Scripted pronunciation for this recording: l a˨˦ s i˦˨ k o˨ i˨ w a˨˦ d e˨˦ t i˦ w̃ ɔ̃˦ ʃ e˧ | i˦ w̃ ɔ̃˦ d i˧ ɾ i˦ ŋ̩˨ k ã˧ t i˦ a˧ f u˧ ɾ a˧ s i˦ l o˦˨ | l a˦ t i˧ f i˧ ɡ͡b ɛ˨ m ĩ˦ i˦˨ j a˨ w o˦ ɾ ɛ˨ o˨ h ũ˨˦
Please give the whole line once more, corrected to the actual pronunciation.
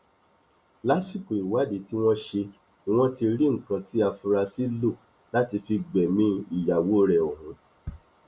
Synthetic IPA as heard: l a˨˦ s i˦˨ k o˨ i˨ w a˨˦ d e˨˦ t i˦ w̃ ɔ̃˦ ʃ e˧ | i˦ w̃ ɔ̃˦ t i˧ ɾ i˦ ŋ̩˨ k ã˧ t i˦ a˧ f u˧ ɾ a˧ s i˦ l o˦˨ | l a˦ t i˧ f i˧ ɡ͡b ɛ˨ m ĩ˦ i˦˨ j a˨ w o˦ ɾ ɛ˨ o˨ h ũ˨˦